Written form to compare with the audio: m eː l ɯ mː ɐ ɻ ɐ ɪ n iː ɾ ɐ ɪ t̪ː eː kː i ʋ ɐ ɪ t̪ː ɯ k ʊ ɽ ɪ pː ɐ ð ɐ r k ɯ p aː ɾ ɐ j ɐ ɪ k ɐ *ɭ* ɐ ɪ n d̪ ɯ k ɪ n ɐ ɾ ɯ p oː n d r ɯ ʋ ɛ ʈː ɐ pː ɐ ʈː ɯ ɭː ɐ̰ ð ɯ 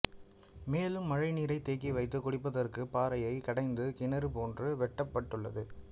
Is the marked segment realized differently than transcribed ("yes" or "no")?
yes